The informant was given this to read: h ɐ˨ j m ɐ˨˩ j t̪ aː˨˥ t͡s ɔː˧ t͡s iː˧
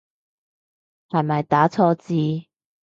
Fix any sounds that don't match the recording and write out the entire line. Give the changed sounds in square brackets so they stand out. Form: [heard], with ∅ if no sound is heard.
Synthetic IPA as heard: h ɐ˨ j m ɐ˨˩ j t̪ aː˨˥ [t͡sʰ] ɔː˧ t͡s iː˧

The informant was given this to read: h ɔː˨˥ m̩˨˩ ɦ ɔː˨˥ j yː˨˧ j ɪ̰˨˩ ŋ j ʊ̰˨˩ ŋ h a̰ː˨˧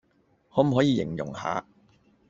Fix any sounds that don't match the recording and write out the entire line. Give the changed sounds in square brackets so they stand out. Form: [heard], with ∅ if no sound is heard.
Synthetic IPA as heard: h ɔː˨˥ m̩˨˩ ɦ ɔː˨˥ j [iː˨˧] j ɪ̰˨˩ ŋ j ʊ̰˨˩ ŋ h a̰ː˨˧

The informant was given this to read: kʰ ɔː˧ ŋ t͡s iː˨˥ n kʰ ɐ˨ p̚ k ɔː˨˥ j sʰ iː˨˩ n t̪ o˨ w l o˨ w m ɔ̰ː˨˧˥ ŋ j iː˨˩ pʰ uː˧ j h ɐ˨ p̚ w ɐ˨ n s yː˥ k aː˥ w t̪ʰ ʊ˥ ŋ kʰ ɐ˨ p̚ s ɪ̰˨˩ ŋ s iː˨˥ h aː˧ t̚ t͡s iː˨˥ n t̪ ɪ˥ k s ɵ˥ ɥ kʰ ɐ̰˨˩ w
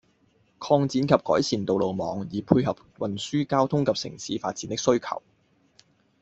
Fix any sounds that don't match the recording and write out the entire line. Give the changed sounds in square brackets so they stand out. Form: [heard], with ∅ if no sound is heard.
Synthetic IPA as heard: kʰ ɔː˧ ŋ t͡s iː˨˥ n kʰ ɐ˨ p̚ k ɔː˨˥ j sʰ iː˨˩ n t̪ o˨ w l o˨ w m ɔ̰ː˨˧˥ ŋ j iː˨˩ pʰ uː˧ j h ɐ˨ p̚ w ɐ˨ n s yː˥ k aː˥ w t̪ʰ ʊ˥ ŋ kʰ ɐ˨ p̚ s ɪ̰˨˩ ŋ s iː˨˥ [f] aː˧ t̚ t͡s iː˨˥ n t̪ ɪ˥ k s ɵ˥ ɥ kʰ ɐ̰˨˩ w

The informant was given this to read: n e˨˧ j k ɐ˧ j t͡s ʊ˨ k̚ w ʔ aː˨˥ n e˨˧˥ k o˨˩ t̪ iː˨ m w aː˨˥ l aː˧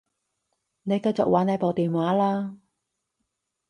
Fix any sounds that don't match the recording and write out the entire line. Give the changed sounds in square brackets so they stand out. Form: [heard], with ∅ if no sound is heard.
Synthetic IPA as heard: n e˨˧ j k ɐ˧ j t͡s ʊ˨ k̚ w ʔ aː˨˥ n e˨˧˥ [p] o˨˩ t̪ iː˨ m w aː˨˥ l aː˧

